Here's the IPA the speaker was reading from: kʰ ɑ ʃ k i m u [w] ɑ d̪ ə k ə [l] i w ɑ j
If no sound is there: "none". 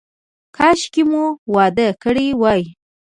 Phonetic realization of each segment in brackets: w, ɽ

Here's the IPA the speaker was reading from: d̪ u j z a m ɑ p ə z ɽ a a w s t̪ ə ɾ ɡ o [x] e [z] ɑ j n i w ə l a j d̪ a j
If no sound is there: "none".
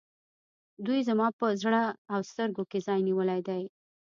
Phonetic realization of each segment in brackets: k, z

